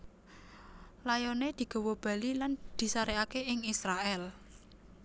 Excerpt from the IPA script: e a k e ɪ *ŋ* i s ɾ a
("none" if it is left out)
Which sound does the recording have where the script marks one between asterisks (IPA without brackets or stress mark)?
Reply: ŋ